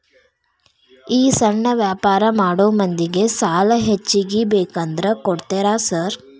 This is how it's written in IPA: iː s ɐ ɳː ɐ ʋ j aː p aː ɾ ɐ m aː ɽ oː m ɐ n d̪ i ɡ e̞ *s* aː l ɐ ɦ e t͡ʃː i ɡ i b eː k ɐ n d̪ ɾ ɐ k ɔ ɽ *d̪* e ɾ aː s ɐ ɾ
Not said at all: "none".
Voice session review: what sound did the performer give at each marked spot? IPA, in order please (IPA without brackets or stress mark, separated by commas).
s, t̪